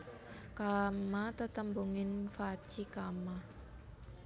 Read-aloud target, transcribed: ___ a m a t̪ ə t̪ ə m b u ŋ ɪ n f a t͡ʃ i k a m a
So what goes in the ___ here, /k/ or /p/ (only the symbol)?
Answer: k